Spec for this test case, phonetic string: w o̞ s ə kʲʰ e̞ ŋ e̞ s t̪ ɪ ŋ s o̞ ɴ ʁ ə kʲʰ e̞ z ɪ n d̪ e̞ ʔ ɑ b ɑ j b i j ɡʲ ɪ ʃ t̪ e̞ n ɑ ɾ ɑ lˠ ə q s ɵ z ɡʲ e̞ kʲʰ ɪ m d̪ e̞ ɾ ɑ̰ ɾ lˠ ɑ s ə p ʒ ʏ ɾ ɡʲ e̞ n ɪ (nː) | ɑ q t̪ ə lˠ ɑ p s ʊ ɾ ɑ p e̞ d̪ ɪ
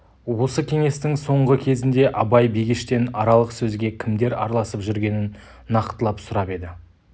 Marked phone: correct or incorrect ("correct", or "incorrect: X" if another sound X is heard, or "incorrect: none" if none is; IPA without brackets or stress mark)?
correct